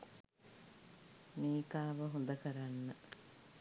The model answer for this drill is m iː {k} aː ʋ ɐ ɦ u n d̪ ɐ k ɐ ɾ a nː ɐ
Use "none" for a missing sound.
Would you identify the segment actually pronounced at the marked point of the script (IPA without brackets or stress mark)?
k